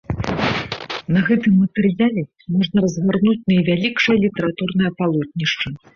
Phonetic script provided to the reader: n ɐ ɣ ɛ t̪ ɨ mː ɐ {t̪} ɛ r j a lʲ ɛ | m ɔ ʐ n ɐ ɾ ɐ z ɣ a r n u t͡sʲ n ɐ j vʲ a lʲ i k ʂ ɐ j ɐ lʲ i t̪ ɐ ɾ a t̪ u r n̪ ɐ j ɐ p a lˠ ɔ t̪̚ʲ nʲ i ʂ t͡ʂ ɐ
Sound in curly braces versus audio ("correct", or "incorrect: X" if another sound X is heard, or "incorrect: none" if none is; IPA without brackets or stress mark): correct